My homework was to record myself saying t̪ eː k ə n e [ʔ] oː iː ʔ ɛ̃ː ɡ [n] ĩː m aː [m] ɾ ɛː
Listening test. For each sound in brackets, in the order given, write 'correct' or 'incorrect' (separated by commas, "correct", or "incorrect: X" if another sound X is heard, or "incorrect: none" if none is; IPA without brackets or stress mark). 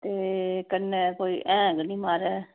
incorrect: k, correct, incorrect: none